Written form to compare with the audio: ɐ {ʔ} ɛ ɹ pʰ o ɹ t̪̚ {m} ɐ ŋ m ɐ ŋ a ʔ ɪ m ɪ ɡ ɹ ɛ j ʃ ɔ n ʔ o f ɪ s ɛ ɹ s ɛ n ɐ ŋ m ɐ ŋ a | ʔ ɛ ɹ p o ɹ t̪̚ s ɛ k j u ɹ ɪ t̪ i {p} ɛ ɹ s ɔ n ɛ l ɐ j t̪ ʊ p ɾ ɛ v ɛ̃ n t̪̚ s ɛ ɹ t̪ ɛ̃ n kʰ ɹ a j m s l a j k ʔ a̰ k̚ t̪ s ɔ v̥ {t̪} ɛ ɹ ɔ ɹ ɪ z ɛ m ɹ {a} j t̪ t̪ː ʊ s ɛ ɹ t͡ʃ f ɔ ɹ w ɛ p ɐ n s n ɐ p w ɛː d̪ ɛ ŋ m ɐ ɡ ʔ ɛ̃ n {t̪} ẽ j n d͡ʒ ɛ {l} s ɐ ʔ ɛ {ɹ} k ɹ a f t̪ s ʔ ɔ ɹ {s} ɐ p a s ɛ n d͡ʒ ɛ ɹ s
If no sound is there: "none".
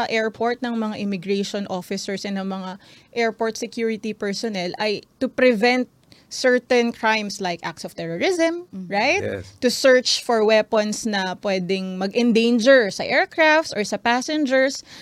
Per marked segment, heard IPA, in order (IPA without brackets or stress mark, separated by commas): ʔ, n, p, t̪, a, d̪, ɹ, ɹ, s